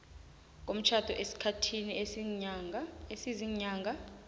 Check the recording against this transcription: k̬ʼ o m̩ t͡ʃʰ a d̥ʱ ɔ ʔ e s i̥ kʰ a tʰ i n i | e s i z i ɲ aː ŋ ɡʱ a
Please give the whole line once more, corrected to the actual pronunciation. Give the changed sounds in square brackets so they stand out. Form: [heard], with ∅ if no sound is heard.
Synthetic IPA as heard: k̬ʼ o m̩ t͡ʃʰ a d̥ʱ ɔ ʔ e s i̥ kʰ a tʰ i n i | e s i z i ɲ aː ŋ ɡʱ a